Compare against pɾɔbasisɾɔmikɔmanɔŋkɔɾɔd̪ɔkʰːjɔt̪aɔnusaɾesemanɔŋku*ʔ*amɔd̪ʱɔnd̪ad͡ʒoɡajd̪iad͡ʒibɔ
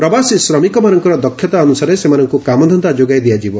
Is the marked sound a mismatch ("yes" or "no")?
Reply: yes